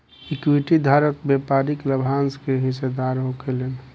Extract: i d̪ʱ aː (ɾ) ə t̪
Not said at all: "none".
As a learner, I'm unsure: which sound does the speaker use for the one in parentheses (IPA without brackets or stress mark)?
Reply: ɾ